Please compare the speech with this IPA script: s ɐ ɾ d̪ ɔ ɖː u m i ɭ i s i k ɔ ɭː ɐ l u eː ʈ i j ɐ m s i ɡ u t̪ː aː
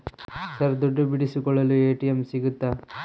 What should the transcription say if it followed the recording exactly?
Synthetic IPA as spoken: s ɐ ɾ d̪ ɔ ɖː u b i ɽ i s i k ɔ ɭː ɐ l u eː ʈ i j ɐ m s i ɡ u t̪ː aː